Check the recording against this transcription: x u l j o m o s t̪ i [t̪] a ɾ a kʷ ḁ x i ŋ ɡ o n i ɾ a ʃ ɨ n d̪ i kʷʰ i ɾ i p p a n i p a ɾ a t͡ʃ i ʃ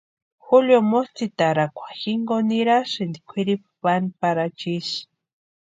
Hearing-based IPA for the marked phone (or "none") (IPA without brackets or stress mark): t̪